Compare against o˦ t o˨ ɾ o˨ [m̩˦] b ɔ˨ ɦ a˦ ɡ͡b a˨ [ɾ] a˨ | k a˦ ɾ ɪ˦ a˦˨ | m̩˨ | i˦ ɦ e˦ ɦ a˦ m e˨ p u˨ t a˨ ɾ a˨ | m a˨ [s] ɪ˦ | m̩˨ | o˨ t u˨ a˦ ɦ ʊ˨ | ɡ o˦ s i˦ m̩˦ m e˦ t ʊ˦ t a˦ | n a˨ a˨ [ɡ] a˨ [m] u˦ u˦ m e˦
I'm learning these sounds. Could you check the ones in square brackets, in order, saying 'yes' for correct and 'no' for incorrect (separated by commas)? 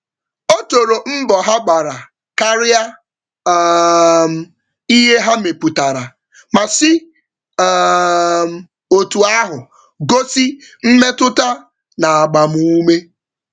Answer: yes, yes, yes, no, yes